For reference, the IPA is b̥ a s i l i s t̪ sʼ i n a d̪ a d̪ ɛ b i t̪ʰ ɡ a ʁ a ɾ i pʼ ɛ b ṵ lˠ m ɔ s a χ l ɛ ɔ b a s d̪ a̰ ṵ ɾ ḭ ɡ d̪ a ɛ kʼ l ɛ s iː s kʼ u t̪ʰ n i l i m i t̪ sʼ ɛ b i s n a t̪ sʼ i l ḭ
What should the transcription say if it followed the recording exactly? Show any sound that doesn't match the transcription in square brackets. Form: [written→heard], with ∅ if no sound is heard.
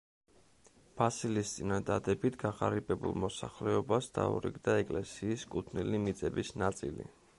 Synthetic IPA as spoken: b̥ a s i l i s t̪ sʼ i n a d̪ a d̪ ɛ b i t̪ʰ ɡ a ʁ a ɾ i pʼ ɛ b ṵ lˠ m ɔ s a χ l ɛ ɔ b a s d̪ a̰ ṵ ɾ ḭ ɡ d̪ a ɛ kʼ l ɛ s iː s kʼ u t̪ʰ n i l i m i t̪ sʼ ɛ b i s n a t̪ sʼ i l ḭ